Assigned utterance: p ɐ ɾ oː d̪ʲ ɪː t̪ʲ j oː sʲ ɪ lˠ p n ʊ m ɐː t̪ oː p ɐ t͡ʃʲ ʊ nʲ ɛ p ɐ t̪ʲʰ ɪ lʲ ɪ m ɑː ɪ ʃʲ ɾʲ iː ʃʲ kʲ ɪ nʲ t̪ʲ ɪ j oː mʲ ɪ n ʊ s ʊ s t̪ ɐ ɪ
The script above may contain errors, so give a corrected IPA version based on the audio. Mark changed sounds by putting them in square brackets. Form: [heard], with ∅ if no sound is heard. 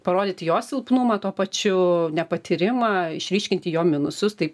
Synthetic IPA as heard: p ɐ ɾ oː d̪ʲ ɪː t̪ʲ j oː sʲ ɪ lˠ p n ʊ m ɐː t̪ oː p ɐ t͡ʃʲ ʊ nʲ ɛ p ɐ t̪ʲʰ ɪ [ɾʲ] ɪ m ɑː ɪ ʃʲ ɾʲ iː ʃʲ kʲ ɪ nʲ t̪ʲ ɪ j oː mʲ ɪ n ʊ s ʊ s t̪ ɐ ɪ